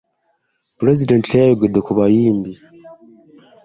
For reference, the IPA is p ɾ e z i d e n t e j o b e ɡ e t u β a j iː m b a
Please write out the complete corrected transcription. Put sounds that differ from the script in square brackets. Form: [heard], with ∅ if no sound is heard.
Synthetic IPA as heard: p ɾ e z i d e n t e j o [ɡ] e [d] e [k] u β a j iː m b [i]